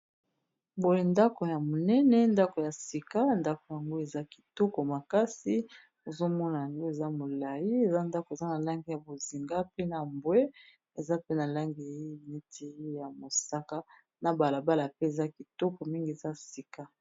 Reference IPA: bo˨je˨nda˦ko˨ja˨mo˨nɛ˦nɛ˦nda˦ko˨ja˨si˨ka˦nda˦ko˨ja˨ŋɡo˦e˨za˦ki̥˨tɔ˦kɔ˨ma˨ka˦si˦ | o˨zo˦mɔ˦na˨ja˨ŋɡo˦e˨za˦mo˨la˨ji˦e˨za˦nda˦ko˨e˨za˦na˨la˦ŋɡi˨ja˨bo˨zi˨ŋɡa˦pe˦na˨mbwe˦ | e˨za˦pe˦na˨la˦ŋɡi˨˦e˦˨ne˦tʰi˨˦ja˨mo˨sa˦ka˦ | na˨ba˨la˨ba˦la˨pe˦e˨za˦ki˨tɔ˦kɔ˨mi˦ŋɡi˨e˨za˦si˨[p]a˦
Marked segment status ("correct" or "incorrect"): incorrect